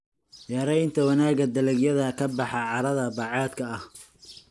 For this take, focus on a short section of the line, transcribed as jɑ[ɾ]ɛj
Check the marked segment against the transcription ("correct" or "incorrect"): correct